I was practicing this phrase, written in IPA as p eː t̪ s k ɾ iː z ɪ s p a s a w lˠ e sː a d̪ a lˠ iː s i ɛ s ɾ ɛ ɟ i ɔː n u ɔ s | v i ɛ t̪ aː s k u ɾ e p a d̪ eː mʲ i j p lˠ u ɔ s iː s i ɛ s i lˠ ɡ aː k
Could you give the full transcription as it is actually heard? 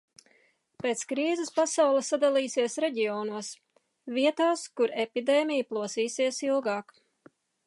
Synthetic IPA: p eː t̪ s k ɾ iː z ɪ s p a s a w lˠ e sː a d̪ a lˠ iː s i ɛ s ɾ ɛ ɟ i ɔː n u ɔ s | v i ɛ t̪ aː s k u ɾ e p i d̪ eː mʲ i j p lˠ u ɔ s iː s i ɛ s i lˠ ɡ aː k